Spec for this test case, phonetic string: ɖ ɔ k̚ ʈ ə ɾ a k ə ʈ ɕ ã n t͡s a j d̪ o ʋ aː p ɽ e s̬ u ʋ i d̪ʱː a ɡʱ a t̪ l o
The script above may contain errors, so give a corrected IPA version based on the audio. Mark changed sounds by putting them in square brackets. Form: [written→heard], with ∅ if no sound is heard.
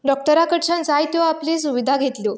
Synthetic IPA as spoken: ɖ ɔ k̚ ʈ ə ɾ a k ə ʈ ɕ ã n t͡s a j [d̪→t̪] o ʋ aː p [ɽ→l] e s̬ u ʋ i [d̪ʱː→d̪ʱ] a ɡʱ [a→e] t̪ l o